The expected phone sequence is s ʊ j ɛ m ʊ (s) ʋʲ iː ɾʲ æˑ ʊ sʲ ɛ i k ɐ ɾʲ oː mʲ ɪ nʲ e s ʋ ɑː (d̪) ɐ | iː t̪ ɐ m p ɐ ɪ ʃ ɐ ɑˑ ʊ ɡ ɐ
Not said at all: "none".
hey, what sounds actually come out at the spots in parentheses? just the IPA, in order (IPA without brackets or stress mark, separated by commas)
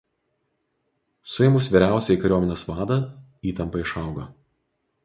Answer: s, d̪